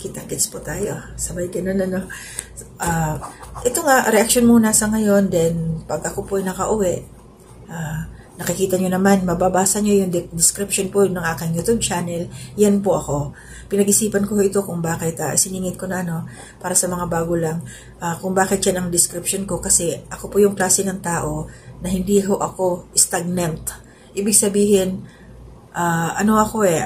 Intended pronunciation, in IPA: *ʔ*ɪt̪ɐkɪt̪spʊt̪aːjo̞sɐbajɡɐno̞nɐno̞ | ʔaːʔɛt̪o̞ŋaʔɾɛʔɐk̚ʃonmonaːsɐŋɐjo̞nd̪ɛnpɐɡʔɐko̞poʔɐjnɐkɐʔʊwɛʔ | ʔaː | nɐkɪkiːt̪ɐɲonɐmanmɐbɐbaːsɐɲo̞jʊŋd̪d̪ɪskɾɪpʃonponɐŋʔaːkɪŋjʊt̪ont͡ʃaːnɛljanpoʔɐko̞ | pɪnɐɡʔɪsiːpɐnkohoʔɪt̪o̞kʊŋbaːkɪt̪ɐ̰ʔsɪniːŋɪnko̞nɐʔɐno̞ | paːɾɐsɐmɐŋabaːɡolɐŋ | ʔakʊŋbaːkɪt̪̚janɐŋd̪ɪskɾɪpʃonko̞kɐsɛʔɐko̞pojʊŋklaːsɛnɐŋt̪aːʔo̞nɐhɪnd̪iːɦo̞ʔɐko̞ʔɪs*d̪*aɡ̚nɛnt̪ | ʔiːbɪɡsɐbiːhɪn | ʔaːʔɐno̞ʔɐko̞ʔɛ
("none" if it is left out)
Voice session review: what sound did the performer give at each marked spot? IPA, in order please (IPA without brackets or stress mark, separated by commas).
k, t̪